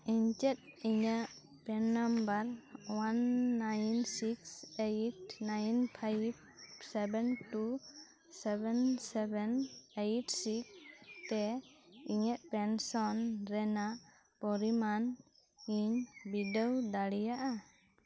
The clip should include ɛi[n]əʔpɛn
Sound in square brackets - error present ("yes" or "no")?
yes